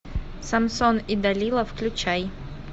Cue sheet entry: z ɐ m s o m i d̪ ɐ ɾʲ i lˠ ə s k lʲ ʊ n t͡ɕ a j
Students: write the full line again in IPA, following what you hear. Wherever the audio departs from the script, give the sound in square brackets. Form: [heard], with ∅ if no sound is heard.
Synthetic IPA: [s] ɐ m s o [n] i d̪ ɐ [lʲ] i lˠ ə [f] k lʲ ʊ [∅] t͡ɕ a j

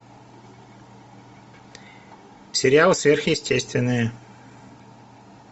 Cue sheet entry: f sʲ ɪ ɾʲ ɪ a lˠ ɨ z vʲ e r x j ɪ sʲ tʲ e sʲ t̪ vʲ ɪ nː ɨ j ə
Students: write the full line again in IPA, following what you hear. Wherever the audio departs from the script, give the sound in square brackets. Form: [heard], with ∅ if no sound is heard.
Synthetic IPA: f sʲ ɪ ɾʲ ɪ a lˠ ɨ [s] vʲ e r x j ɪ sʲ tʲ e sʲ t̪ vʲ ɪ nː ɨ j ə

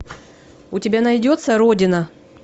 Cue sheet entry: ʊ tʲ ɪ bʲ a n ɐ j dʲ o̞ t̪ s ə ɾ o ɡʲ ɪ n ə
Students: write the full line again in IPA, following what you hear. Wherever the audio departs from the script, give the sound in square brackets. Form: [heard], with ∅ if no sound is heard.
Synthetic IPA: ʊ tʲ ɪ bʲ a n ɐ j dʲ o̞ t̪ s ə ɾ o [dʲ] ɪ n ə

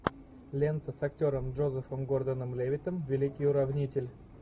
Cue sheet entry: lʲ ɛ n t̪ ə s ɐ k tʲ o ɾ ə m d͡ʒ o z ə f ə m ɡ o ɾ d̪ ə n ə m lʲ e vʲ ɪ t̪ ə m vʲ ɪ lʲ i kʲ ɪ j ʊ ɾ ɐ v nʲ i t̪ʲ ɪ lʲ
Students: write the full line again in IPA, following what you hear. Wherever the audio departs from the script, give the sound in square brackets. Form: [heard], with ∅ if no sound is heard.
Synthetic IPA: lʲ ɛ n t̪ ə s ɐ k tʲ o ɾ ə m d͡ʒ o z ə f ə m ɡ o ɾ d̪ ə n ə m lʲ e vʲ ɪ t̪ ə m vʲ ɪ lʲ i kʲ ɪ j ʊ ɾ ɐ v nʲ i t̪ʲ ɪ lʲ

